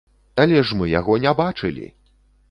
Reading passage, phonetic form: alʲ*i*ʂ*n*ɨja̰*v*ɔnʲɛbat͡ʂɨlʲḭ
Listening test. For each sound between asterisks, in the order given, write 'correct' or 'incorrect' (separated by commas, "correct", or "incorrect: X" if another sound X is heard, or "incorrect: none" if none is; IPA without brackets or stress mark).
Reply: incorrect: ɛ, incorrect: m, incorrect: ɣ